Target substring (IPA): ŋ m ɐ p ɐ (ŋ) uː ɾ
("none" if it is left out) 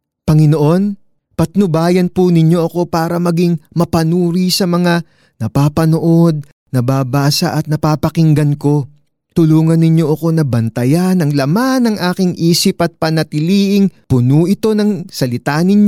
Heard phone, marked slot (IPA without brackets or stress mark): n